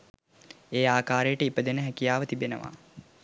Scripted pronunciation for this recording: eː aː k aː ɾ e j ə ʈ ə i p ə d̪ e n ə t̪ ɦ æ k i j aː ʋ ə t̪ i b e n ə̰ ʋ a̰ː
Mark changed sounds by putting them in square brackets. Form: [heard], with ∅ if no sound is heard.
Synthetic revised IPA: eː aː k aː ɾ e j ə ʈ ə i p ə d̪ e n ə [∅] ɦ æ k i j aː ʋ ə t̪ i b e n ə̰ ʋ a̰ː